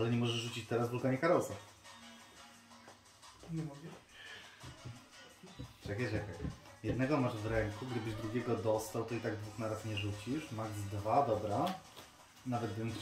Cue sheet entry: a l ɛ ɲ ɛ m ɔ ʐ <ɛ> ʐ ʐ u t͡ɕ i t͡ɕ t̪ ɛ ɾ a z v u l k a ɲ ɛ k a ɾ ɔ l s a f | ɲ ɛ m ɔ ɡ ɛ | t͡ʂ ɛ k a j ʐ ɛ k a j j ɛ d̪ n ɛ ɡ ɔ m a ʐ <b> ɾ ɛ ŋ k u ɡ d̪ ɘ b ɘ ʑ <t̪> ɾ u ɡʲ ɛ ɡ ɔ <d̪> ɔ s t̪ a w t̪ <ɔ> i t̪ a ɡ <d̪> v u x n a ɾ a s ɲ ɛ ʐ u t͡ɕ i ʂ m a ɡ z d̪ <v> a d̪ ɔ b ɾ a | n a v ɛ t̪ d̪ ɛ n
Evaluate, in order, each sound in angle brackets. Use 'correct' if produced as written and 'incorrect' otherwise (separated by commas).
correct, incorrect, incorrect, correct, correct, correct, correct